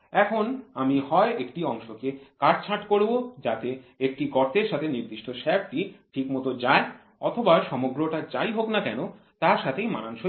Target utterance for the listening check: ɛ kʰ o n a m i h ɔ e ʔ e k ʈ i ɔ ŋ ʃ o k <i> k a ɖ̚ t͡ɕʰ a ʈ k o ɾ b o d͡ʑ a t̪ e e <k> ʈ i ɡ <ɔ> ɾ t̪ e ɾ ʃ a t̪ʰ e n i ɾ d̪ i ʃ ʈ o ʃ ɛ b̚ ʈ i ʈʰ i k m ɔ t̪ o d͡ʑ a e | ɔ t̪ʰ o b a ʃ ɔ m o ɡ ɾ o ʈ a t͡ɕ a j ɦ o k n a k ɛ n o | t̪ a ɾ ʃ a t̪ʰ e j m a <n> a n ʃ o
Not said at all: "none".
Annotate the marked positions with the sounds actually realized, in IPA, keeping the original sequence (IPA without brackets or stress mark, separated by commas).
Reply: e, k, ɔ, n